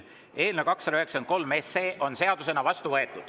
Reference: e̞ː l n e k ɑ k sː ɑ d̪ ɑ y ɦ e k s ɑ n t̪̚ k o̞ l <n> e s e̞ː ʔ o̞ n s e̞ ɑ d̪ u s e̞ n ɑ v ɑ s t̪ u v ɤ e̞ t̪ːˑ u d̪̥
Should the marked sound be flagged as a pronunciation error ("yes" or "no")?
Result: yes